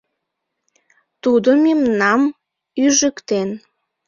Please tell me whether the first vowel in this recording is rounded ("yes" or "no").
yes